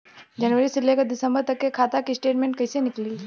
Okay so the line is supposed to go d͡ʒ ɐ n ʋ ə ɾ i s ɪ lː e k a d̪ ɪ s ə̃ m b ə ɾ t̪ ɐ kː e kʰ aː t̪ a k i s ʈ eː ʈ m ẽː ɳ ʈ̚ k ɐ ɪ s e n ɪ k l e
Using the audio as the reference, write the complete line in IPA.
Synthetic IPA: d͡ʒ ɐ n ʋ ə ɾ i s ɪ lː e k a d̪ ɪ s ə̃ m b ə ɾ t̪ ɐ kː e kʰ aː t̪ a k i s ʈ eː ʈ m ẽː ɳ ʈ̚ k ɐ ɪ s e n ɪ k l i